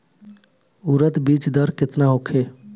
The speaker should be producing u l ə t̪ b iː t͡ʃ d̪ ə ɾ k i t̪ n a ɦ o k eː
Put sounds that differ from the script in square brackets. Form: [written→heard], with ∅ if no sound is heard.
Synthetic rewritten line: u [l→ɾ] ə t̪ b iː t͡ʃ d̪ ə ɾ k [i→ɪ] t̪ n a ɦ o [k→kʰ] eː